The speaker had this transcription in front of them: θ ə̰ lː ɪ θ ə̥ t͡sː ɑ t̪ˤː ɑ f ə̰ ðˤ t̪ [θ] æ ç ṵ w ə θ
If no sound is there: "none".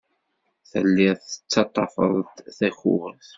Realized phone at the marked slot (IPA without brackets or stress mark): θ